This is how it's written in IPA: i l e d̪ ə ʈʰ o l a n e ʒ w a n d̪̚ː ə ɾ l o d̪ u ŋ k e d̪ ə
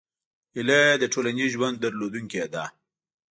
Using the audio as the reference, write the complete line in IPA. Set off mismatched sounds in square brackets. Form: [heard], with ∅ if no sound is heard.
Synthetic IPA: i l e d̪ ə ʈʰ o l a n [i] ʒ w a n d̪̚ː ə ɾ l o d̪ u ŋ k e d̪ [a]